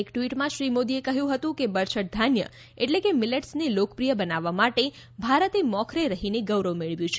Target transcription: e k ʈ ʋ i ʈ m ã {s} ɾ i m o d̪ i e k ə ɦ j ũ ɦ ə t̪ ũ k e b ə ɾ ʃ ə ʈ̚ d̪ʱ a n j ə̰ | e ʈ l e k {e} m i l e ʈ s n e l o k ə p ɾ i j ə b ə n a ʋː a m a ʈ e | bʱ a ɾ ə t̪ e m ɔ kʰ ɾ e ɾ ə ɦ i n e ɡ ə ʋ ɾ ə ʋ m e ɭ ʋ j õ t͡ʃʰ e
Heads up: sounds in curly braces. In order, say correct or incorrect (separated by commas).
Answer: incorrect, correct